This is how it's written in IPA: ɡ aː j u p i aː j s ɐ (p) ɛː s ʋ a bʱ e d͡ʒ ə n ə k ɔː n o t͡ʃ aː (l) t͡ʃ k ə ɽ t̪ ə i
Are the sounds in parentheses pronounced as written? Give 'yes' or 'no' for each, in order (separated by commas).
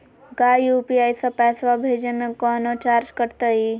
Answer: yes, no